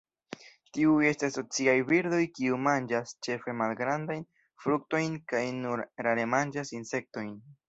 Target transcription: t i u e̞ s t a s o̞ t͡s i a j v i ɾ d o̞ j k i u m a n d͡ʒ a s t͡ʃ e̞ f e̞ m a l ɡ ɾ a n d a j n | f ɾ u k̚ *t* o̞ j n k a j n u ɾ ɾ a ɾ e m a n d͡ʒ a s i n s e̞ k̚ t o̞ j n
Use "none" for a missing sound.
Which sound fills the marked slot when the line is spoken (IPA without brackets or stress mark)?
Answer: t